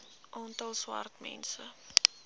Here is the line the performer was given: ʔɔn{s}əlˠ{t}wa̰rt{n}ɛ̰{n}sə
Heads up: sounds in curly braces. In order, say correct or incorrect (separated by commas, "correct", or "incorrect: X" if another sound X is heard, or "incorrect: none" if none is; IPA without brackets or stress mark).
incorrect: t, incorrect: s, incorrect: m, correct